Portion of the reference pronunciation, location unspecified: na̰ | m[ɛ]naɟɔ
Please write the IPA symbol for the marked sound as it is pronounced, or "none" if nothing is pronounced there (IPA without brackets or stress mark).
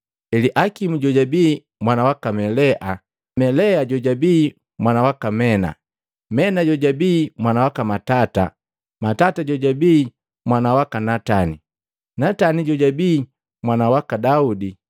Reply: ɛ